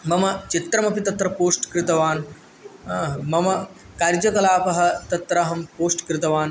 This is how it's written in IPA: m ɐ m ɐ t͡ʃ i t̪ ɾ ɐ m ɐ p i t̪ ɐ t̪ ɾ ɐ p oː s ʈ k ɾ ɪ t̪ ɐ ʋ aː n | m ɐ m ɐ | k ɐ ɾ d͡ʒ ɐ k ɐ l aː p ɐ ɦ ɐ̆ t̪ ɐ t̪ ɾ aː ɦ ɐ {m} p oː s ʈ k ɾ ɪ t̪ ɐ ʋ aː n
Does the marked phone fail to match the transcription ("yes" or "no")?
no